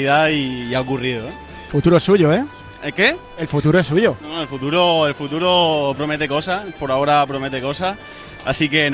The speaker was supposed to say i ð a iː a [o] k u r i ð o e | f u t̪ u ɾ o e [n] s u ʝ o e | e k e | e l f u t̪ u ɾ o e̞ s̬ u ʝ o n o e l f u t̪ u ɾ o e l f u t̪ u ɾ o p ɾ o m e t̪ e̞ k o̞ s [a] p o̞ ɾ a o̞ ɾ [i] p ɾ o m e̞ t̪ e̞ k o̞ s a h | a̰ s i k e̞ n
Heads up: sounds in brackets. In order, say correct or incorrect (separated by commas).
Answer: correct, incorrect, correct, incorrect